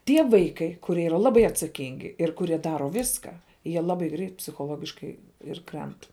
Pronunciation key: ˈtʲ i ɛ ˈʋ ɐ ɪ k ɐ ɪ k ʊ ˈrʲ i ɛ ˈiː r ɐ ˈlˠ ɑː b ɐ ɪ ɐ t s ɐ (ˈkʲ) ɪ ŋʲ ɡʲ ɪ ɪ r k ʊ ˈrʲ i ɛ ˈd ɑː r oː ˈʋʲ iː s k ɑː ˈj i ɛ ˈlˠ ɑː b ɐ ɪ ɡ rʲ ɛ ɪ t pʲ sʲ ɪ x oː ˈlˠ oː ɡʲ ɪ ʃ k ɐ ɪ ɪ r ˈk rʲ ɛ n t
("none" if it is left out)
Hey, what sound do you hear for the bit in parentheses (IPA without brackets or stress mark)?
kʲ